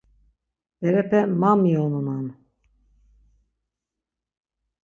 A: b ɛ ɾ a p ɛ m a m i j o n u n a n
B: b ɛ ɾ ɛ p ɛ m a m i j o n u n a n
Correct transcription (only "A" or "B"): B